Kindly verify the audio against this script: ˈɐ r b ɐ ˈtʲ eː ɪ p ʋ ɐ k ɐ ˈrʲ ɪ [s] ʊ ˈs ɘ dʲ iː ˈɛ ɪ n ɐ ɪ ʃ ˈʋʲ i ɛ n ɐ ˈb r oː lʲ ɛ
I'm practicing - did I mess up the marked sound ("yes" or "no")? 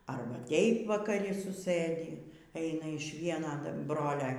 no